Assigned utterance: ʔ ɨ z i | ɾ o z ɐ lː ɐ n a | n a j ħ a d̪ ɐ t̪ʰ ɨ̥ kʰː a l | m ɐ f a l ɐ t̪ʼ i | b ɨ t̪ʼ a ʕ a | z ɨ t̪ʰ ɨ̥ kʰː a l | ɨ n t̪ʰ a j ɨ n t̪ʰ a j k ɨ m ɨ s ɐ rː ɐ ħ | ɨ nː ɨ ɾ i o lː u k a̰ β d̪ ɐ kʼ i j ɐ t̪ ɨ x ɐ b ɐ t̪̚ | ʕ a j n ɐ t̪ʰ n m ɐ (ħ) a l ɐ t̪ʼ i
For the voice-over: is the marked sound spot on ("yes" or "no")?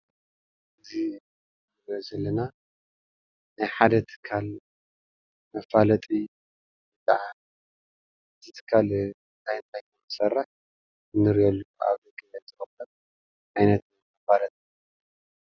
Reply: no